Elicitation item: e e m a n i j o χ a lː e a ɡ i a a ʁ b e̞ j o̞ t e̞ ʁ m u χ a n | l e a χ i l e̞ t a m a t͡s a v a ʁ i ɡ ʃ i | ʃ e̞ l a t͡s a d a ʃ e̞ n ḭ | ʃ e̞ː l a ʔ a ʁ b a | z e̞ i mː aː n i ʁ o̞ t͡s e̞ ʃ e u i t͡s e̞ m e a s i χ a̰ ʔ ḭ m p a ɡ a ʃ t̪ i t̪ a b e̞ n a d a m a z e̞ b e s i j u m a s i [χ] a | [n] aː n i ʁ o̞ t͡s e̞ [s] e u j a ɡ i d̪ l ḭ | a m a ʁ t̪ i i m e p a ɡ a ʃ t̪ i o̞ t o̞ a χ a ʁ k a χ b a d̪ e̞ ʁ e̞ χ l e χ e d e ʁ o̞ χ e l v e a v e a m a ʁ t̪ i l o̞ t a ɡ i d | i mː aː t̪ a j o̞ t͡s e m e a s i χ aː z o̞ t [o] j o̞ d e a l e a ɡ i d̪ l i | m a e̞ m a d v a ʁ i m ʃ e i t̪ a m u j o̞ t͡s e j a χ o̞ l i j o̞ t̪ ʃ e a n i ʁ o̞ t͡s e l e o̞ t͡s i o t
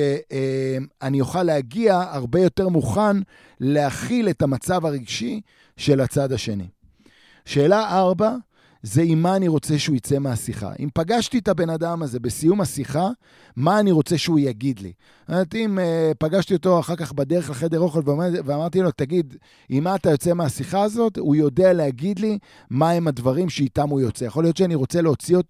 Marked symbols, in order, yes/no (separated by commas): yes, no, no, no